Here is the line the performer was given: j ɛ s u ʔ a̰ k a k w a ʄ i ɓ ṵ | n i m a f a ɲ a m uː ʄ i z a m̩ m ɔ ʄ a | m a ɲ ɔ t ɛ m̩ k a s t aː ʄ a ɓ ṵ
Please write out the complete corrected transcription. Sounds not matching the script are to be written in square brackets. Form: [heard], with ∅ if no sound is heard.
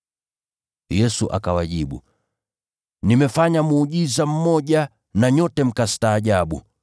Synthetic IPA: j ɛ s u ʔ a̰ k a [∅] w a ʄ i ɓ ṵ | n i m [ɛ] f a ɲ a m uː ʄ i z a m̩ m ɔ ʄ a | [n] a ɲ ɔ t ɛ m̩ k a s t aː ʄ a ɓ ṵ